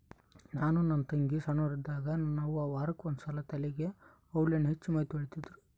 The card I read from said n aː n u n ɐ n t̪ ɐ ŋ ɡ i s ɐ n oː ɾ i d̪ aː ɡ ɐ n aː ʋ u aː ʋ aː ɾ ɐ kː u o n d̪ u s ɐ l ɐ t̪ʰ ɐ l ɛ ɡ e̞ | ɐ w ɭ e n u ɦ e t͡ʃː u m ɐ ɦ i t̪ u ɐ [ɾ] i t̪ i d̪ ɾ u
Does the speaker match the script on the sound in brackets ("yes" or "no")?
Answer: no